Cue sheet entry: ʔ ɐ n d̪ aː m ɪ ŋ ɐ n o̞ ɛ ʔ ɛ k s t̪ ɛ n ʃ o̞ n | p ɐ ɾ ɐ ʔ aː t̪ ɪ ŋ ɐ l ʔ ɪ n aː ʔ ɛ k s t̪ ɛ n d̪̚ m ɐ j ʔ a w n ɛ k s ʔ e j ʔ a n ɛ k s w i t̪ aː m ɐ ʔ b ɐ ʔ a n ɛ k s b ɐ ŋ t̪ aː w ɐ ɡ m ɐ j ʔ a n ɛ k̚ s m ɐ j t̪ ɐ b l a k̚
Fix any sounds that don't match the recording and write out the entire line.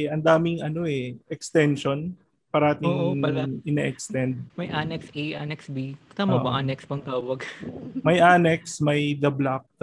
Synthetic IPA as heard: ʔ ɐ n d̪ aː m ɪ ŋ ɐ n o̞ ɛ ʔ ɛ k s t̪ ɛ n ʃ o̞ n | p ɐ ɾ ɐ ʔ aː t̪ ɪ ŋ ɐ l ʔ ɪ n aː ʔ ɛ k s t̪ ɛ n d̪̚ m ɐ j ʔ a n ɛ k s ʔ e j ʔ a n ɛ k s b i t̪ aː m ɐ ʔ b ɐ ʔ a n ɛ k s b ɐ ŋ t̪ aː w ɐ ɡ m ɐ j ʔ a n ɛ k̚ s m ɐ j d̪ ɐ b l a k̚